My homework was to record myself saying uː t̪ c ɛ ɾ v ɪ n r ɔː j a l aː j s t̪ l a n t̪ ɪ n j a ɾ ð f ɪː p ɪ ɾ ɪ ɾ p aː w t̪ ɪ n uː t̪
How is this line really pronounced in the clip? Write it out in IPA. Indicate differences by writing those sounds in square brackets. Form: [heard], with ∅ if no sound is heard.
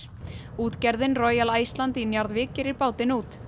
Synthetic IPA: uː t̪ c ɛ ɾ [ð] ɪ n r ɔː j a l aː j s t̪ l a n t̪ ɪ n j a ɾ ð [v] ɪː [c] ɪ ɾ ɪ ɾ p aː w t̪ ɪ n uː t̪